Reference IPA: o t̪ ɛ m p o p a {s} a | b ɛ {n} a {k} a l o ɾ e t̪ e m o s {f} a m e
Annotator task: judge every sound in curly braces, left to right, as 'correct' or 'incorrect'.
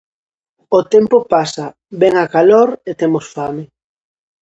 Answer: correct, incorrect: ŋ, correct, correct

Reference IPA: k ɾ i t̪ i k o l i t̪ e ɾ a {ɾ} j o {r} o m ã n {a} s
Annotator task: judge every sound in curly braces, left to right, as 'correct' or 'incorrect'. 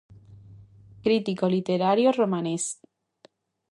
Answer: correct, correct, incorrect: e

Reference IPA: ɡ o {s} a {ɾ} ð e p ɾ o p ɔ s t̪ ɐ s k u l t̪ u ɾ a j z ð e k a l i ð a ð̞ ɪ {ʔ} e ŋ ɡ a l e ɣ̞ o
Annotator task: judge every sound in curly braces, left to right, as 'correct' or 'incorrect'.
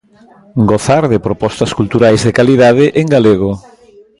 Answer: incorrect: θ, correct, correct

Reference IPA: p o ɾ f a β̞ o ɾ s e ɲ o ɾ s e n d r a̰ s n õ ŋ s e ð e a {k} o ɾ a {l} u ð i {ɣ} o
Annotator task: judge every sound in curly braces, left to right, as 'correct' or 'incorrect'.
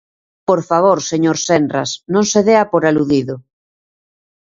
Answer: incorrect: p, correct, incorrect: ð

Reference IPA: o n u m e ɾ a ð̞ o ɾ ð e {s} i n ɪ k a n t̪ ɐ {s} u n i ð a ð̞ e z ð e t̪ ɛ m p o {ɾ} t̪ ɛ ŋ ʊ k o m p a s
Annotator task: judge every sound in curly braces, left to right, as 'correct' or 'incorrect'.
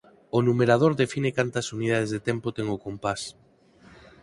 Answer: incorrect: f, correct, incorrect: none

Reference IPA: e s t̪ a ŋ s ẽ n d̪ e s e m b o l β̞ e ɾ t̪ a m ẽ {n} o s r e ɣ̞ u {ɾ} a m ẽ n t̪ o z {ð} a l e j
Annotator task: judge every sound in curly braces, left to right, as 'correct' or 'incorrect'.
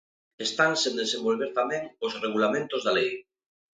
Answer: incorrect: ŋ, incorrect: l, correct

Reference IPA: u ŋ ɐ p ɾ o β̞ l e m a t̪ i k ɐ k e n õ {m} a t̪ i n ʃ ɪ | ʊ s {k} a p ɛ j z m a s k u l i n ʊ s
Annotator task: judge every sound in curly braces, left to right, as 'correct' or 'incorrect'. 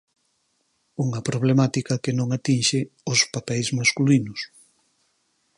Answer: incorrect: ŋ, incorrect: p

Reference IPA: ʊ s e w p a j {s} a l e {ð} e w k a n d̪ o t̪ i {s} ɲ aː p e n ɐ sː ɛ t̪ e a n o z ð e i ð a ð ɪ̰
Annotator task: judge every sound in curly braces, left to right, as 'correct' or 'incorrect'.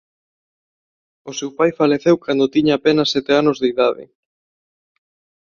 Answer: incorrect: f, incorrect: θ, incorrect: none

